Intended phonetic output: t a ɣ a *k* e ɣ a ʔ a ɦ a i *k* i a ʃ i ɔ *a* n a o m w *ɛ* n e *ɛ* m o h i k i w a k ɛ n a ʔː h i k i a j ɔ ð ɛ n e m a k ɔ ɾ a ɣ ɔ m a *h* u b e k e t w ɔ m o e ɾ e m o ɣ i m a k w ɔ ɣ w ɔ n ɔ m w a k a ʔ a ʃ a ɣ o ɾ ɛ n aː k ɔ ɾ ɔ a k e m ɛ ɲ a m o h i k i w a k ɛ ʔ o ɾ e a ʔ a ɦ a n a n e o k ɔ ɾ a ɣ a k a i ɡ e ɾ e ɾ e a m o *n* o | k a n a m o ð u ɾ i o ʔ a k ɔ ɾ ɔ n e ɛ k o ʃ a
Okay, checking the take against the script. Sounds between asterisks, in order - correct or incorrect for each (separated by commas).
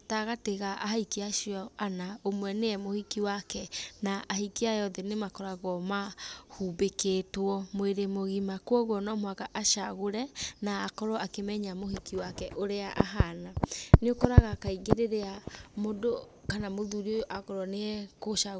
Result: incorrect, correct, correct, correct, correct, correct, incorrect